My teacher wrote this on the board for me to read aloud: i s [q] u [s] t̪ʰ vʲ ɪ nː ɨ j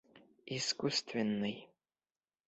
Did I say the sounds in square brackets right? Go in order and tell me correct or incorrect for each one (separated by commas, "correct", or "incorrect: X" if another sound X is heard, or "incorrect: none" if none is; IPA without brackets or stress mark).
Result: incorrect: k, correct